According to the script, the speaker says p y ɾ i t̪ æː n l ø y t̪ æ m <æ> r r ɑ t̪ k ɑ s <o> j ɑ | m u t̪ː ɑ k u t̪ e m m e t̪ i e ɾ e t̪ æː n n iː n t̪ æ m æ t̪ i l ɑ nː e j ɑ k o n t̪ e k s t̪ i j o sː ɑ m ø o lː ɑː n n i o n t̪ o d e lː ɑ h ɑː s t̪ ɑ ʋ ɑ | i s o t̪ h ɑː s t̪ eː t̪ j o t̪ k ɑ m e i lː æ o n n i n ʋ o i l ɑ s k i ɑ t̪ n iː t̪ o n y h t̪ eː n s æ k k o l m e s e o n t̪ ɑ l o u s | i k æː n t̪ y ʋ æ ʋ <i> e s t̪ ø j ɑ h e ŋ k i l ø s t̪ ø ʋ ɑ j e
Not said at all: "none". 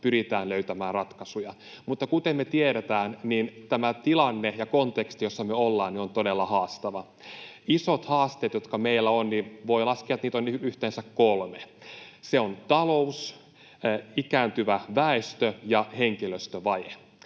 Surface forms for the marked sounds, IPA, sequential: æː, u, æ

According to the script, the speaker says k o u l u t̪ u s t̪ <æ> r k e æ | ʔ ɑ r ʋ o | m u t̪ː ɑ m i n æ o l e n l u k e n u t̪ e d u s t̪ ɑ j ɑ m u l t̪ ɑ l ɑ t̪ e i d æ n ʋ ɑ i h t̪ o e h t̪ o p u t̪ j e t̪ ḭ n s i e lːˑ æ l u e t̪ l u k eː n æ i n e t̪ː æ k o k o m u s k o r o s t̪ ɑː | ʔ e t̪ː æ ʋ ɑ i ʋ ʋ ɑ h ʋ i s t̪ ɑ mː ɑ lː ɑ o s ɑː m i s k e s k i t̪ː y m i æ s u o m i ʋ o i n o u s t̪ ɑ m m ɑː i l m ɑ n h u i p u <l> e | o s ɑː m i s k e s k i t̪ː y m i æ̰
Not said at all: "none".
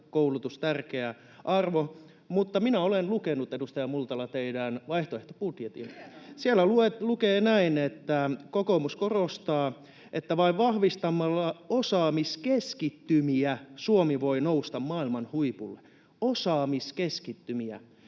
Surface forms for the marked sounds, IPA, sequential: æ, lː

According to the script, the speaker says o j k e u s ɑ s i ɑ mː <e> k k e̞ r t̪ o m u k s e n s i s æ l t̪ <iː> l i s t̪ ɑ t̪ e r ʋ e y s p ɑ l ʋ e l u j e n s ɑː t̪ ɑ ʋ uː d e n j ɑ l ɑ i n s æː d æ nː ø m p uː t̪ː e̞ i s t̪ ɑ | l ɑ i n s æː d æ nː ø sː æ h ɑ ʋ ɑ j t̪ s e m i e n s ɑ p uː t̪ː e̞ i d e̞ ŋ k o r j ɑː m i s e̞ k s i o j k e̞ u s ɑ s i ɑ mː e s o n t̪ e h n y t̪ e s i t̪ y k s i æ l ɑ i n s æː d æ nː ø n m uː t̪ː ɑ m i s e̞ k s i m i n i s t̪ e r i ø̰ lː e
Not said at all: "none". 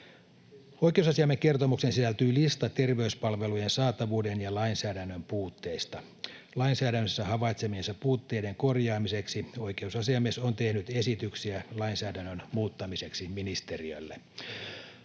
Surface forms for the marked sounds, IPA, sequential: e, yː

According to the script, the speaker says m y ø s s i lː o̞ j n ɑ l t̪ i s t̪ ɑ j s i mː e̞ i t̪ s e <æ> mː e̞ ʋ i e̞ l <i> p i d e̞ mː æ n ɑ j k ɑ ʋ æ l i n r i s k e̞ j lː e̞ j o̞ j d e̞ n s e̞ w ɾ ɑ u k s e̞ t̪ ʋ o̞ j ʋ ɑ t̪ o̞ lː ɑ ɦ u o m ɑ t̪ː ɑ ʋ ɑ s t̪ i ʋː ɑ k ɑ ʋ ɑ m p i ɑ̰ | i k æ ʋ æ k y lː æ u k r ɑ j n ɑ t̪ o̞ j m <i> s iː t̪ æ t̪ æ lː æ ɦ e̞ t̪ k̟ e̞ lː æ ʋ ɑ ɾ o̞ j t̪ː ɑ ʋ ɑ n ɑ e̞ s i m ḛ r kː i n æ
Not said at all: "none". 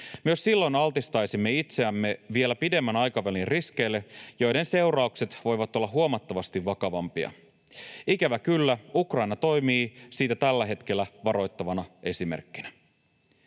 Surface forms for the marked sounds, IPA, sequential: æ, æ, iː

